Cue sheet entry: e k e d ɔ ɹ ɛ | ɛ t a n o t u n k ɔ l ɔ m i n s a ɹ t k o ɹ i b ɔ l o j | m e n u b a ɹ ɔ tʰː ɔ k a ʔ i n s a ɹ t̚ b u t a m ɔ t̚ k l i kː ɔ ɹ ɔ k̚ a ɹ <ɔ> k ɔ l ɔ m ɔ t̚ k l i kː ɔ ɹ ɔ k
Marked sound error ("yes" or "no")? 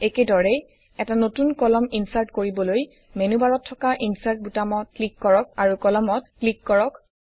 yes